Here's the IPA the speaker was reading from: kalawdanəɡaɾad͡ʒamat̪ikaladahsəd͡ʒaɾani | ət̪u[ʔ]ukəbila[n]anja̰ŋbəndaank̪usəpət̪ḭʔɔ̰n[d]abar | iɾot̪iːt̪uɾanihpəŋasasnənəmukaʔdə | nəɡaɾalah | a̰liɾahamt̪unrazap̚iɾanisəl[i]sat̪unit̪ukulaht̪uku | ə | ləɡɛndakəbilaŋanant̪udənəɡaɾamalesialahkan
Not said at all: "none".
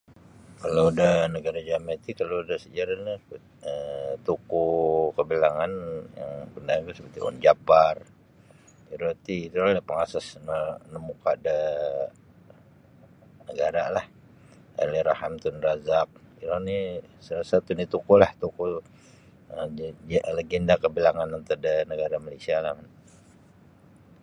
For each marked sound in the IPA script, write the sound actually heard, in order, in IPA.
k, ŋ, d͡ʒ, a

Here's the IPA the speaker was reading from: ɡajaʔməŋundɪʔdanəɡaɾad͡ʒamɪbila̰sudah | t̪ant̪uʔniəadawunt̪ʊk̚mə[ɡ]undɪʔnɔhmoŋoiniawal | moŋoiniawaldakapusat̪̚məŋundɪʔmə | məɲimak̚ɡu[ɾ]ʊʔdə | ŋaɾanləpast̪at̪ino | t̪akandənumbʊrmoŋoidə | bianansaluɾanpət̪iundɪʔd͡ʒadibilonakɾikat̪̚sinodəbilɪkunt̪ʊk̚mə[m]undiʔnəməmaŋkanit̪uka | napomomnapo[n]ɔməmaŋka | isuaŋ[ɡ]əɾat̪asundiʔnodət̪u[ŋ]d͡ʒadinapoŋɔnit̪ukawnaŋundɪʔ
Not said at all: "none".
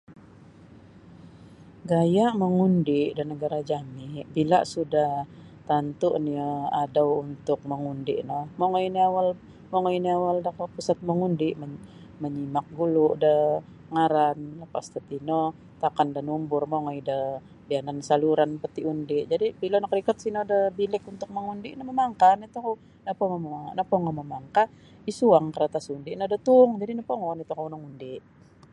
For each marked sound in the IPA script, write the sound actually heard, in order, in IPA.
ŋ, l, ŋ, ŋ, k, ŋ

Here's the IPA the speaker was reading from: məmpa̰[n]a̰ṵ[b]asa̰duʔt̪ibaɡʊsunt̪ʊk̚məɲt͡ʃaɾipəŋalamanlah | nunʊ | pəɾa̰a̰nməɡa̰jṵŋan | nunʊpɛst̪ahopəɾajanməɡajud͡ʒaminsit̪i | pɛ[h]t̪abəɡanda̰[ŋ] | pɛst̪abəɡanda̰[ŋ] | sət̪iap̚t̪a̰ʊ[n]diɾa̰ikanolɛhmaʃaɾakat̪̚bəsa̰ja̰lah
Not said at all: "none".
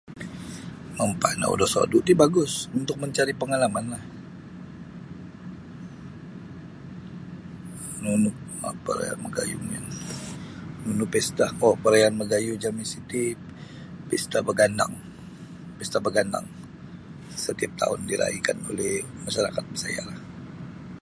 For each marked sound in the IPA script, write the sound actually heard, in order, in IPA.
n, d, s, ŋ, ŋ, n

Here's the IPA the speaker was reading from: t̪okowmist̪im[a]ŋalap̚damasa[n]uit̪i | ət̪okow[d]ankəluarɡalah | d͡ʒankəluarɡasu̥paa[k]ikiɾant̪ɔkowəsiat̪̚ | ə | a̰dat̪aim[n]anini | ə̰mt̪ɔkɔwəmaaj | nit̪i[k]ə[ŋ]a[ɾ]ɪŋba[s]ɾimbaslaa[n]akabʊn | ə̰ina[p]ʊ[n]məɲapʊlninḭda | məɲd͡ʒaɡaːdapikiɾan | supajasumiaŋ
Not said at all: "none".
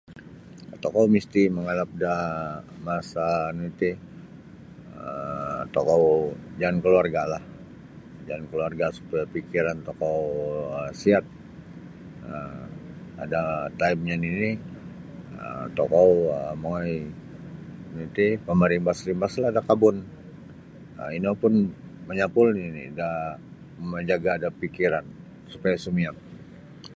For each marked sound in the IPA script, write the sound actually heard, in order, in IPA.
ə, n, d͡ʒ, p, ɲ, p, m, ɾ, s, d, p, n

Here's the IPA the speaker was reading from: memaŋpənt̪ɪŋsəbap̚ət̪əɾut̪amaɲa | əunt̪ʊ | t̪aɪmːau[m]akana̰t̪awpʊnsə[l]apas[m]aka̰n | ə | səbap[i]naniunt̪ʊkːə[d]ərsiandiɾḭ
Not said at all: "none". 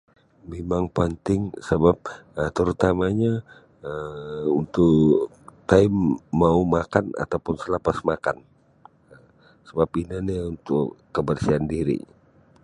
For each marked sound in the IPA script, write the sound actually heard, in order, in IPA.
m, l, m, i, b

